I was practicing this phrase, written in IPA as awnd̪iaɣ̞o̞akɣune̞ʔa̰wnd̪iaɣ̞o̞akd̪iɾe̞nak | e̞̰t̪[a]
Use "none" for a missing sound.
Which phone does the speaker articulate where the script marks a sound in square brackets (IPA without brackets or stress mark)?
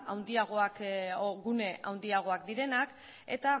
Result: a